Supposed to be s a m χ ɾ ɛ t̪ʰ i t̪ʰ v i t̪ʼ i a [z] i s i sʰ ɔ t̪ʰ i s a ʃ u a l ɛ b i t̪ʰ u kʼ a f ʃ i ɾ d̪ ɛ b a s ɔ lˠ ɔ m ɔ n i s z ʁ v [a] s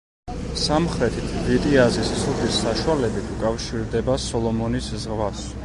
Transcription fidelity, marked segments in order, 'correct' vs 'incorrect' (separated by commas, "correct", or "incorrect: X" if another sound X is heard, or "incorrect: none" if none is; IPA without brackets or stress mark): correct, correct